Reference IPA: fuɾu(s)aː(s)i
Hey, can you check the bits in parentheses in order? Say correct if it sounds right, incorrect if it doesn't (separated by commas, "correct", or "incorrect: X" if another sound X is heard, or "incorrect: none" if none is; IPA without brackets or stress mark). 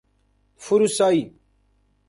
correct, incorrect: none